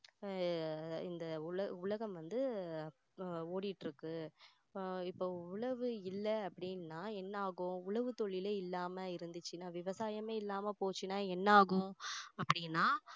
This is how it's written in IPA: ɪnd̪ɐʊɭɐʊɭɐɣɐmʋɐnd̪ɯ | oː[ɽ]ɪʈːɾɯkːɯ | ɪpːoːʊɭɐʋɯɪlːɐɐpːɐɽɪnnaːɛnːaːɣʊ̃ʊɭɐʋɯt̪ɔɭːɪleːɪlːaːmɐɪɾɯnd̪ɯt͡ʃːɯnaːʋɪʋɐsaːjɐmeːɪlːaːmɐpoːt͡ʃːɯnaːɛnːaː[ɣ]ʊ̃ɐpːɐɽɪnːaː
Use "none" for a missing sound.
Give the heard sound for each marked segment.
ɽ, ɣ

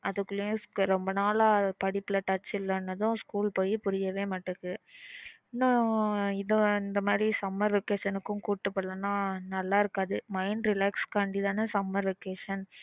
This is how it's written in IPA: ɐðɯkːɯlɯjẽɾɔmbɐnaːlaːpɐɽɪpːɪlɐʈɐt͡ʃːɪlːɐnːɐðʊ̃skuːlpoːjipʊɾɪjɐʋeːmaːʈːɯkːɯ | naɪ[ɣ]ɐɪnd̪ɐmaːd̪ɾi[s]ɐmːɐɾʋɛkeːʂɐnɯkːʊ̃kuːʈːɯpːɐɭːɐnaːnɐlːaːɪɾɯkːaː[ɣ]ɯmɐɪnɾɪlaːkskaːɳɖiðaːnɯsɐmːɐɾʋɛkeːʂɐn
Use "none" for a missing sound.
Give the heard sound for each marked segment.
ð, s, ð

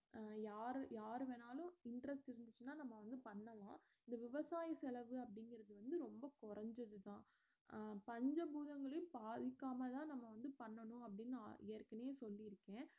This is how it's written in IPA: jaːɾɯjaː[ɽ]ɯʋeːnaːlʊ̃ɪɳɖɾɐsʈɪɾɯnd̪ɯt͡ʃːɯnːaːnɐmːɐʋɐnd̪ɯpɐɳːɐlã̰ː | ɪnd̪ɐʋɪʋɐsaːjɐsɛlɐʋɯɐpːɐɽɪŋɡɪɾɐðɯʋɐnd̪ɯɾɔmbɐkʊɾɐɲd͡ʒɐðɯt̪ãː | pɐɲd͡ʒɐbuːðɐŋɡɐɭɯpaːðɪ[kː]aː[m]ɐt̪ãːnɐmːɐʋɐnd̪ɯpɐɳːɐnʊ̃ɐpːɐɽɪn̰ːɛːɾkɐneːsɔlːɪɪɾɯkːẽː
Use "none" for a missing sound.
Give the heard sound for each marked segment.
ɾ, kː, m

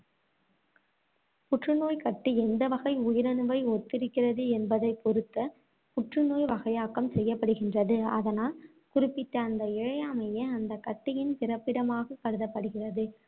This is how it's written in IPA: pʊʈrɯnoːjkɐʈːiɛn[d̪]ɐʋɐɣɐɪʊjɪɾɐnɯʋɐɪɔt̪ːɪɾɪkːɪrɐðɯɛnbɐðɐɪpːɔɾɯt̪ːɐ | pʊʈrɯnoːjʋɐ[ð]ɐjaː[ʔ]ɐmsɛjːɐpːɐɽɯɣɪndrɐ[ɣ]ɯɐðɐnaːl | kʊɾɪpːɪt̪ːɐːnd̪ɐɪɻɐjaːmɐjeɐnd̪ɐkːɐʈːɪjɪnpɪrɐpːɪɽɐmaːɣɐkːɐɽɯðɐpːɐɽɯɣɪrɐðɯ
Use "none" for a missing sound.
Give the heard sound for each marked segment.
d̪, ɣ, k, ð

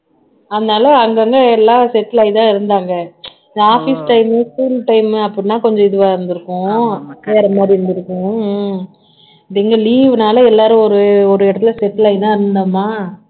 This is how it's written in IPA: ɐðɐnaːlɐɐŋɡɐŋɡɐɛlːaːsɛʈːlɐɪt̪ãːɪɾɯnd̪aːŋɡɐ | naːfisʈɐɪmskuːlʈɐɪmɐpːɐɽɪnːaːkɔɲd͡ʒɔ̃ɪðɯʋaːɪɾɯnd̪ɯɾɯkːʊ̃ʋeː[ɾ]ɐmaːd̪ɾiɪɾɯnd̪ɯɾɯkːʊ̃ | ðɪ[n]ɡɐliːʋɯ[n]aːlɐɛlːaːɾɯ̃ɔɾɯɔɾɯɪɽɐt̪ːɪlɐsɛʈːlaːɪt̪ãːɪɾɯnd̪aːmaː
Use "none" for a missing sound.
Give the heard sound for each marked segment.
ɾ, ŋ, n

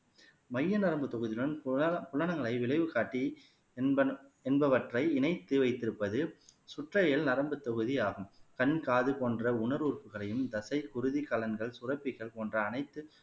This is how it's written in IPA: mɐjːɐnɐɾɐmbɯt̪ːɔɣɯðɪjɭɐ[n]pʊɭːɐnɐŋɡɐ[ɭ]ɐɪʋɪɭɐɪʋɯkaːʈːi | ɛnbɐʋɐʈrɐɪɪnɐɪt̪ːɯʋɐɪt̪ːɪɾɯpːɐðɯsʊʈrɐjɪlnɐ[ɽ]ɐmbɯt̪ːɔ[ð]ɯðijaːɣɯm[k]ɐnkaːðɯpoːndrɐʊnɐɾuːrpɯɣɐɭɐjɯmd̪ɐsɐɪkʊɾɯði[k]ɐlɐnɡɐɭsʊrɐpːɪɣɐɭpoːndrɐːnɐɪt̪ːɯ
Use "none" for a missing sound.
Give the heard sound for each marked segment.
n, ɭ, ɾ, ɣ, k, k

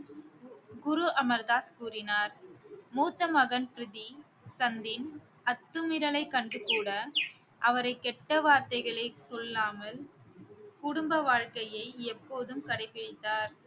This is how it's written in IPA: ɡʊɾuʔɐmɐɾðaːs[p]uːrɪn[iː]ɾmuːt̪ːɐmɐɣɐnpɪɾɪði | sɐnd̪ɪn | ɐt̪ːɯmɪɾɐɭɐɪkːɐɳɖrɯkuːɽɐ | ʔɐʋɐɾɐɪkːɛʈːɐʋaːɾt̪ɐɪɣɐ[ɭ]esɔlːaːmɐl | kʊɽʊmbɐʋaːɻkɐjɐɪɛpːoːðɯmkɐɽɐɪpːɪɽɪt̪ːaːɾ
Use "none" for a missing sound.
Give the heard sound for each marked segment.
k, aː, ɭ

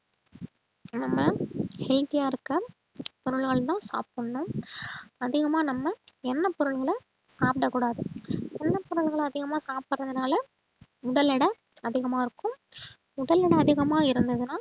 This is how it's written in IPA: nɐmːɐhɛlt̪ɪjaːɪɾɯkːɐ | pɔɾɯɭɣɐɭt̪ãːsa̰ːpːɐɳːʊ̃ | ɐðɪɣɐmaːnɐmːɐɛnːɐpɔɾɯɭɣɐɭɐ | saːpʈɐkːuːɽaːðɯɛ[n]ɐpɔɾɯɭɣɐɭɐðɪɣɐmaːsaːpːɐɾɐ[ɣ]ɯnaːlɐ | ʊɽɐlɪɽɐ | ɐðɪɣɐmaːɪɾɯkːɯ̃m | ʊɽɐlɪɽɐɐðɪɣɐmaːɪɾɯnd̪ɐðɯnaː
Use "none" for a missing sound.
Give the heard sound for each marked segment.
nː, ð

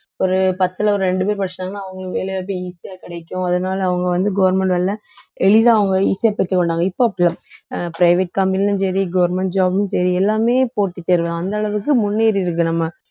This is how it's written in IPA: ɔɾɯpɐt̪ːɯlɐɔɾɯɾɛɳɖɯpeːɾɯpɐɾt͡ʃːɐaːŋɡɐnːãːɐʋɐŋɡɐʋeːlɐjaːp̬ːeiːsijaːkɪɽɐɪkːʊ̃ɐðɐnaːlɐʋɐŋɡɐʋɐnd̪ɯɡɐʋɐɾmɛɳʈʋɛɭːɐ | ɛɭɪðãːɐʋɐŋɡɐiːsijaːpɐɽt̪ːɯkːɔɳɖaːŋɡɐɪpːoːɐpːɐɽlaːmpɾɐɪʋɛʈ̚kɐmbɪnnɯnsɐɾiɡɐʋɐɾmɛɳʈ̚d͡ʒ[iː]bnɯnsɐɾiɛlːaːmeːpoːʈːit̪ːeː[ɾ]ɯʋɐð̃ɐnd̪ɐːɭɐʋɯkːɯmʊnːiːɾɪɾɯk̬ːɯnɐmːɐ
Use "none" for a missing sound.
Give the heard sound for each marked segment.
aː, ɾ

